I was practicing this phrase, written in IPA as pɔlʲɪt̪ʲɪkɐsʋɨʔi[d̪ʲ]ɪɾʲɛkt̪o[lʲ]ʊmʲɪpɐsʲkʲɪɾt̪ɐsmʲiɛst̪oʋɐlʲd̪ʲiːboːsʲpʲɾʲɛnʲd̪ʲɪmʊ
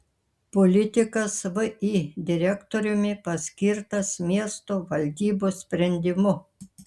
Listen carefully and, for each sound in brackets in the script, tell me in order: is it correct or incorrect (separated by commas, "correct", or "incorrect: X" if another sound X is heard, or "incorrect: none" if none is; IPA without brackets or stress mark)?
correct, incorrect: ɾʲ